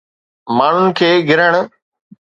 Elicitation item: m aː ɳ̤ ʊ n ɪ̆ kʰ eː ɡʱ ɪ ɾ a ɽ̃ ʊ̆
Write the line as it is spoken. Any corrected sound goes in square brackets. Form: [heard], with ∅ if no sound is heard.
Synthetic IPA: m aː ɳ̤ ʊ n ɪ̆ kʰ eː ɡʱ ɪ ɾ [ə] ɽ̃ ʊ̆